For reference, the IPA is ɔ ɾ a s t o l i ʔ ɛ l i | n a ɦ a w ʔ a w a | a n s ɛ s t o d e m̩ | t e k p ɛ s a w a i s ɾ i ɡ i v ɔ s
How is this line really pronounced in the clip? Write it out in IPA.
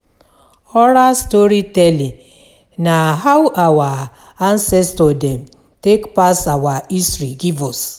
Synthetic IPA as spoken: ɔ ɾ a s t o ɾ i t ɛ l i | n a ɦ a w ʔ a w a | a n s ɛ s t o d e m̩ | t e k p a s a w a i s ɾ i ɡ i v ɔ s